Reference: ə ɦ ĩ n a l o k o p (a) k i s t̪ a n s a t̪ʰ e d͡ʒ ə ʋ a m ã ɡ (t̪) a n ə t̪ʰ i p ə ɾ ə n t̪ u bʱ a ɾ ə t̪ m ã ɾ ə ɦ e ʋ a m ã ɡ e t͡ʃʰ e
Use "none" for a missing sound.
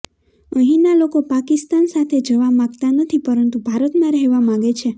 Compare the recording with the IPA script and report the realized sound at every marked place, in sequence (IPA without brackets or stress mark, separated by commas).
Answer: a, t̪